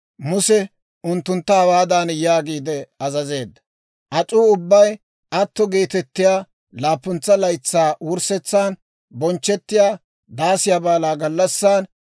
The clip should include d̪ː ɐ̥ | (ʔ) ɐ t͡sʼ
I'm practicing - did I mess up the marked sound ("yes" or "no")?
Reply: no